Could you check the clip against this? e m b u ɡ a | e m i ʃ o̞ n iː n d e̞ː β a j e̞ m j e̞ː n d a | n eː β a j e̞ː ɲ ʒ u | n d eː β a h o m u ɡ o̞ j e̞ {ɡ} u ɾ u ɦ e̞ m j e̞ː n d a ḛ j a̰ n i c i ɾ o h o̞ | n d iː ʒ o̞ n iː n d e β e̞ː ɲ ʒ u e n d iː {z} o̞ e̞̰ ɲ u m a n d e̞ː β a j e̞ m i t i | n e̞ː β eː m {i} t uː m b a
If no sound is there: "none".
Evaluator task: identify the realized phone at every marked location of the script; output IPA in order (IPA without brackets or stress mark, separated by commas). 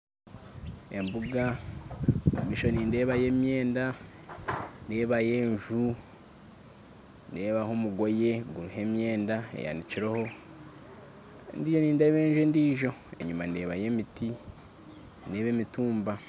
ɡ, ʒ, i